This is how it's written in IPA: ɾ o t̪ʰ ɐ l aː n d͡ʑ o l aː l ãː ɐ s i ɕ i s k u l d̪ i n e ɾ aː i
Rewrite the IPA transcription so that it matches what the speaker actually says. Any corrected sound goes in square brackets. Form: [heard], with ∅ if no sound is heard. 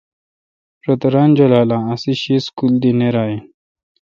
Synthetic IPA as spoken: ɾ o [t̪] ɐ [ɾ] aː n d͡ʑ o l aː l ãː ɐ s i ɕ i s k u l d̪ i n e ɾ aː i